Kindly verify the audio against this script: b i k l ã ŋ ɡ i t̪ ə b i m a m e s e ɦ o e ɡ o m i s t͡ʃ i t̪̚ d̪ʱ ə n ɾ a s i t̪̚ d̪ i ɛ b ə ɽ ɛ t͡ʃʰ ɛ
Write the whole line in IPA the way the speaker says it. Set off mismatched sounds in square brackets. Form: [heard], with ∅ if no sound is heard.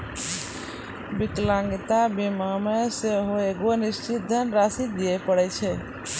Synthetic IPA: b i k l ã ŋ ɡ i t̪ [a] b i m a m e s e ɦ o e ɡ o [n] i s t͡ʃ i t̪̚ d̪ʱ ə n ɾ a s i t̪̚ d̪ i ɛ [p] ə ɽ ɛ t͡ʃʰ ɛ